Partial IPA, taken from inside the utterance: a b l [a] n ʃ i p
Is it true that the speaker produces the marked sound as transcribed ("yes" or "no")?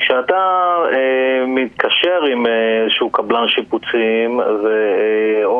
yes